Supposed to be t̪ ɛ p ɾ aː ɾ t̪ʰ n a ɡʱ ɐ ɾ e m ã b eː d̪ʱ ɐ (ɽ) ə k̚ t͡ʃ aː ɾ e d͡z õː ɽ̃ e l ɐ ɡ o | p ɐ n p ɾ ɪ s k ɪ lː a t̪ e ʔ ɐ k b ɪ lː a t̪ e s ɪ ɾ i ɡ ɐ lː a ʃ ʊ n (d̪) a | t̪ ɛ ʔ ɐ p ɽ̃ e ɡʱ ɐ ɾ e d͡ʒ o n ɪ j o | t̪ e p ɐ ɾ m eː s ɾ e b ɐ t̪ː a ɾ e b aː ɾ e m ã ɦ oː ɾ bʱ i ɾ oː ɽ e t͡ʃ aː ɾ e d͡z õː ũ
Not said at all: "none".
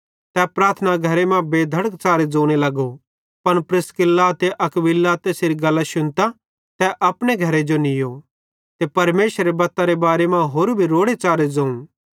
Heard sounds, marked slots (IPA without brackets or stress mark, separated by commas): ɽ, t̪